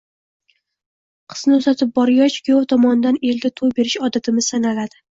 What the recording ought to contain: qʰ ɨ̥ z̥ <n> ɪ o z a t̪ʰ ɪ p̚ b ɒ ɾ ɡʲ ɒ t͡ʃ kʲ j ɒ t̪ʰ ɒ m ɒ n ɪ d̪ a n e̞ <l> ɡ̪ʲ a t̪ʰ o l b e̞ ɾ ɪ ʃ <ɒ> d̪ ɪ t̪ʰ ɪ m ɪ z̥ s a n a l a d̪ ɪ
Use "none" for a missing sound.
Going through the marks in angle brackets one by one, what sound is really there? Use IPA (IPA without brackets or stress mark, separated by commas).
n, l, ɒ